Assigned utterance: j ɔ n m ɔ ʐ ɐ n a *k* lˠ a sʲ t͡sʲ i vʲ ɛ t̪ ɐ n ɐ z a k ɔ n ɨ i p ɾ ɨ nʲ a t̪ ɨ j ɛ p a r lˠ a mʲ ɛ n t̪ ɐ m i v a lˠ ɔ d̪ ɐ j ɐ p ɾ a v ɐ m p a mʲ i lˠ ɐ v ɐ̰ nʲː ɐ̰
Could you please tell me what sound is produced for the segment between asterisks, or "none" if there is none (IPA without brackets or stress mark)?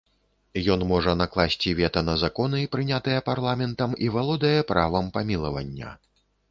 k